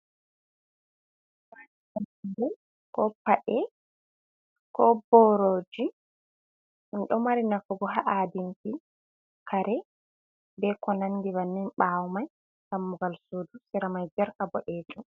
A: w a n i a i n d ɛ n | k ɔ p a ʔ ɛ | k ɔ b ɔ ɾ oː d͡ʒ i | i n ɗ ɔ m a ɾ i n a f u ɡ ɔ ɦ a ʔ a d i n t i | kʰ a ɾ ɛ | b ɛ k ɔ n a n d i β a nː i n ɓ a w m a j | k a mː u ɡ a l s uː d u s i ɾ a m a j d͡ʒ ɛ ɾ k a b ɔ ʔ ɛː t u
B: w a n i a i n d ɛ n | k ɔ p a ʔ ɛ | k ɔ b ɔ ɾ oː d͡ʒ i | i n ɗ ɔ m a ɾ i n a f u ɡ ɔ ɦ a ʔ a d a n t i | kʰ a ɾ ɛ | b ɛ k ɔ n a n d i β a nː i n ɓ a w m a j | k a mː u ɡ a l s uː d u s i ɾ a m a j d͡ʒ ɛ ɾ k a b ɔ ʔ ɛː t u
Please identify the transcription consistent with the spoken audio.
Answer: A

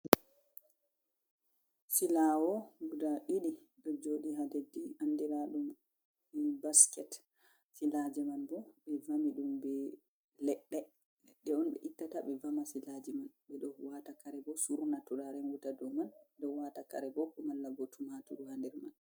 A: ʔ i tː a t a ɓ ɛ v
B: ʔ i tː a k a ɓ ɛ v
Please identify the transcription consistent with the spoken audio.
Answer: A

